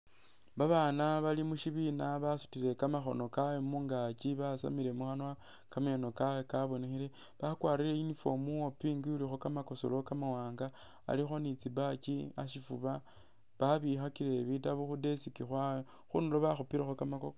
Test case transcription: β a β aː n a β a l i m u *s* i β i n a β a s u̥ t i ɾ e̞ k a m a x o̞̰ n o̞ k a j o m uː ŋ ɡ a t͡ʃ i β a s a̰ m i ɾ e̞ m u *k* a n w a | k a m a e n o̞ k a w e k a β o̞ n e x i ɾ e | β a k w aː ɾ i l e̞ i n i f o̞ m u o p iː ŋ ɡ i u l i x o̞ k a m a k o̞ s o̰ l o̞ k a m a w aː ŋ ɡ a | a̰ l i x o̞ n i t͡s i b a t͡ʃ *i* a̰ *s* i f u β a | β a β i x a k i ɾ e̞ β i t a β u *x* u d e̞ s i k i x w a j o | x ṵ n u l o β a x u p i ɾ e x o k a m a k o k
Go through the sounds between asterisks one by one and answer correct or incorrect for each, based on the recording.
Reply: incorrect: ʃ, incorrect: x, correct, incorrect: ʃ, correct

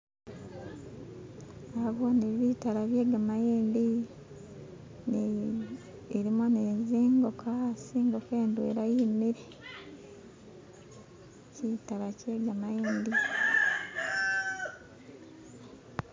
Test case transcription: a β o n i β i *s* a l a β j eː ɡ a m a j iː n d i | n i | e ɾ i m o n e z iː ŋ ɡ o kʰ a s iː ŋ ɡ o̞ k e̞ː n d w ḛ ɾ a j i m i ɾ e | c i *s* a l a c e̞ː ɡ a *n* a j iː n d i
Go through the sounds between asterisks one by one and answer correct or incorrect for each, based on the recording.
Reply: incorrect: t, incorrect: t, incorrect: m

